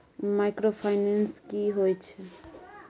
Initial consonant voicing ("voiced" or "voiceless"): voiced